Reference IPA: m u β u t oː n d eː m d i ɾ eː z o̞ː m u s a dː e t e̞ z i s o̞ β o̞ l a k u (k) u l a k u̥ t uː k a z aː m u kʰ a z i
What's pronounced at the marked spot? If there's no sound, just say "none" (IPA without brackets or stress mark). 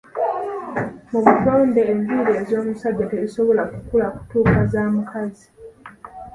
k